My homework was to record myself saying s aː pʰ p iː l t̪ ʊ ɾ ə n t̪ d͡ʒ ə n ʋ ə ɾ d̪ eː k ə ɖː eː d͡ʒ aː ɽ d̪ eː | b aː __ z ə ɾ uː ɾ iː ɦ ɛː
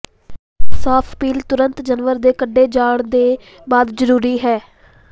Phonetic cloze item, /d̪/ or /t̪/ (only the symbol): d̪